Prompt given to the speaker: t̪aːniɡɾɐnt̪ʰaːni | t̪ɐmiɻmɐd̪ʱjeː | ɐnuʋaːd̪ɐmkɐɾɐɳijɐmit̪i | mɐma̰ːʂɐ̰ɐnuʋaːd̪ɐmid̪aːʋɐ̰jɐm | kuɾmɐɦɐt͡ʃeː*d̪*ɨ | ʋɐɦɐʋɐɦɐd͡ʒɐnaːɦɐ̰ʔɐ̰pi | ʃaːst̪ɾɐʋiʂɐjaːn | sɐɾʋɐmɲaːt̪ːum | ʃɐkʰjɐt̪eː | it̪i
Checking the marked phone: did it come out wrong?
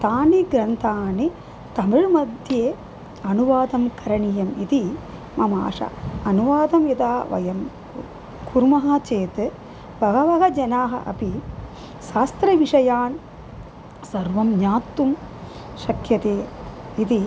yes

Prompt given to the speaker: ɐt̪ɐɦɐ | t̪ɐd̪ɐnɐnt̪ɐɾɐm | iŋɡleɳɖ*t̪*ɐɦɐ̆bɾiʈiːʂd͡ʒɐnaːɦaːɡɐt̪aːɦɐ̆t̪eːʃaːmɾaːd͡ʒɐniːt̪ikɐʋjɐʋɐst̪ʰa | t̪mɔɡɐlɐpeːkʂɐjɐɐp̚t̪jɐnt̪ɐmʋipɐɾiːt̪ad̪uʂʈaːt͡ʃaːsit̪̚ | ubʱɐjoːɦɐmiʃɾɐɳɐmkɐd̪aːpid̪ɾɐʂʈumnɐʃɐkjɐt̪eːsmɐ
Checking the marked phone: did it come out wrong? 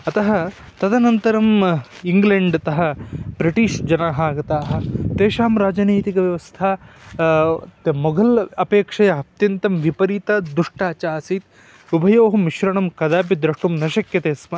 no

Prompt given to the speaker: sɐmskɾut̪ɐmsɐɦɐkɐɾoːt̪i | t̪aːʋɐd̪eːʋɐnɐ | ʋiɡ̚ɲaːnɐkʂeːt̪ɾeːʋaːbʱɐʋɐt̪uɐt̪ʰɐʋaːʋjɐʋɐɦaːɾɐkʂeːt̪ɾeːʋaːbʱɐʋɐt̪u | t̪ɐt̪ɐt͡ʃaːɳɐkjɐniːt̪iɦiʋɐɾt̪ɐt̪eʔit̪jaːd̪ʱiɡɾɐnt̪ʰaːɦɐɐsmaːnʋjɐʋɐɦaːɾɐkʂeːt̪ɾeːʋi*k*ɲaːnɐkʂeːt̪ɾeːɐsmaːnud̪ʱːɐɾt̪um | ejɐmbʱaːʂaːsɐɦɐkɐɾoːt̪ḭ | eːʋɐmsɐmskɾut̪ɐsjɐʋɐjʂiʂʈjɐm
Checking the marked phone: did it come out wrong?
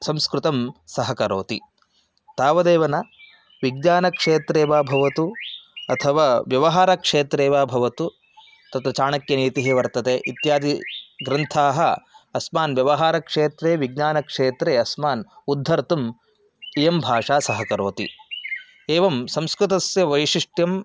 yes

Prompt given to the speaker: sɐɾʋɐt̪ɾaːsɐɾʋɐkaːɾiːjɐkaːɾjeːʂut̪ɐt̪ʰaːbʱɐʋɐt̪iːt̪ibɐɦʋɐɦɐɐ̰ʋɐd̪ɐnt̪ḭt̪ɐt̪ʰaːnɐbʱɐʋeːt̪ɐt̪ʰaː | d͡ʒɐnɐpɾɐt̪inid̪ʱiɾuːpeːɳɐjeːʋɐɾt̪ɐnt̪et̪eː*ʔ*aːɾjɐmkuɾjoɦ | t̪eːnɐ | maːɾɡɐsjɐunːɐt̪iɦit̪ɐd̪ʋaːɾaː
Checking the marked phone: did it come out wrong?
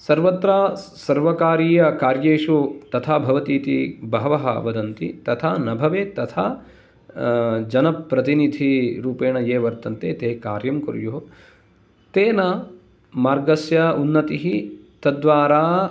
yes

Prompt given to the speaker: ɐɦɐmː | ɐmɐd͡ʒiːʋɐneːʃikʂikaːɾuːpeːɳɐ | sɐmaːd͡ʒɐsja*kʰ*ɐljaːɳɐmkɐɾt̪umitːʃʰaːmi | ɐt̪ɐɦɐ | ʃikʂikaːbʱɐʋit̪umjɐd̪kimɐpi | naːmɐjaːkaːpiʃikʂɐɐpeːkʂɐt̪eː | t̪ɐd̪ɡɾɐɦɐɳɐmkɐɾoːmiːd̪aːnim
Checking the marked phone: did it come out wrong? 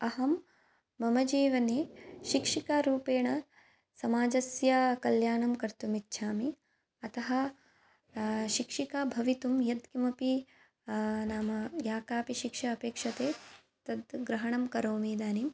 yes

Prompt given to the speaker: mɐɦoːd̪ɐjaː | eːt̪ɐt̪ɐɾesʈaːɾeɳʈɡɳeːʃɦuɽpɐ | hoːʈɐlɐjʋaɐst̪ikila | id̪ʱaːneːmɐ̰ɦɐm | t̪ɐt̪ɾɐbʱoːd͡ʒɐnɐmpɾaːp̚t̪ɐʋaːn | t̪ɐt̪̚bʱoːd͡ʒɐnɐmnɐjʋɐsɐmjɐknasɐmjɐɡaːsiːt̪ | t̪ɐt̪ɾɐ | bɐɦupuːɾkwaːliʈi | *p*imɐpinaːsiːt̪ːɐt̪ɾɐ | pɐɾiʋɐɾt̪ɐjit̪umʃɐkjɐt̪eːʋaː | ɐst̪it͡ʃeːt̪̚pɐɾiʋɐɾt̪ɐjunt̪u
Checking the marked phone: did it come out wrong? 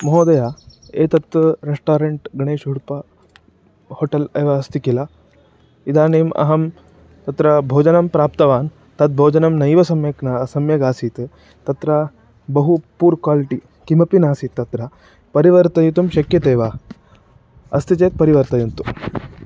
yes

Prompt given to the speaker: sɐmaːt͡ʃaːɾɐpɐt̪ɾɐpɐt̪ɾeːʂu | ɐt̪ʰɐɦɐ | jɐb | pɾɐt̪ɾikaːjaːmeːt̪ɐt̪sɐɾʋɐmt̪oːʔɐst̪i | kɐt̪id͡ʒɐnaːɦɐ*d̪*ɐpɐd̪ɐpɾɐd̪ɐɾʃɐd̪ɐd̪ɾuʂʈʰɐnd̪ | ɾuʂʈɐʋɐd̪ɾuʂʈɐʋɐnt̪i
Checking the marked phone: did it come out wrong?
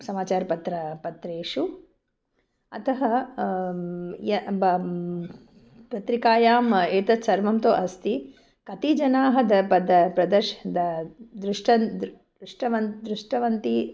no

